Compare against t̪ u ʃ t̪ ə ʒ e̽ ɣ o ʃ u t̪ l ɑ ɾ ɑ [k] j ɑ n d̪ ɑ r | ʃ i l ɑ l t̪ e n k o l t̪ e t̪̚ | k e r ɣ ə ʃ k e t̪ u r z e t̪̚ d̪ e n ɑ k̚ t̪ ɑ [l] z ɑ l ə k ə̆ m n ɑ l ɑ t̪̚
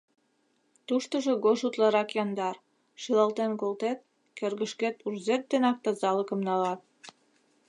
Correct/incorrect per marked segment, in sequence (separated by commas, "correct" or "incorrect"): correct, incorrect